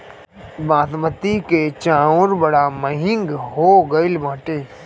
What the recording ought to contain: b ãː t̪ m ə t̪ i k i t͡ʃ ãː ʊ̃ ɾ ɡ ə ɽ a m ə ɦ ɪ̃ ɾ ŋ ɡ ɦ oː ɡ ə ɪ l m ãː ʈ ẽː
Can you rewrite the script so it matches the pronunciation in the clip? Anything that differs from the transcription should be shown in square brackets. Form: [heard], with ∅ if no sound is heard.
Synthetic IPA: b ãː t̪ m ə t̪ i k [e] t͡ʃ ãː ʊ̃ ɾ [b] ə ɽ a m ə ɦ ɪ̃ [∅] ŋ ɡ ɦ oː ɡ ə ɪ l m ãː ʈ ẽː